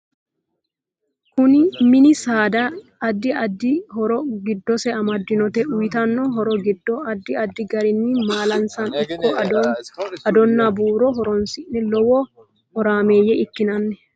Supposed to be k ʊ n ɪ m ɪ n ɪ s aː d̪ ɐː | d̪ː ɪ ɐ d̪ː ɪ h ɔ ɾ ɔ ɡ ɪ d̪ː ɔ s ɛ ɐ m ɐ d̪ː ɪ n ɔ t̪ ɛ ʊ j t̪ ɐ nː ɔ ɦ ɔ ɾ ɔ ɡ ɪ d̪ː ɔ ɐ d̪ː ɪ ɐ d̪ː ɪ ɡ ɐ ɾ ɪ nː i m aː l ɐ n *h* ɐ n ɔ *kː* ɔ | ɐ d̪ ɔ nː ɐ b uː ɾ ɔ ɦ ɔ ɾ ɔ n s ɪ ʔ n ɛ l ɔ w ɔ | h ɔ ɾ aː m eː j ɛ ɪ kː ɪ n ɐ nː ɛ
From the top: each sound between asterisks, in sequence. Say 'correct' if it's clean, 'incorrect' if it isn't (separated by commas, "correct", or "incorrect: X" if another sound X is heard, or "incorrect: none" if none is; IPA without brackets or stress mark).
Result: incorrect: s, correct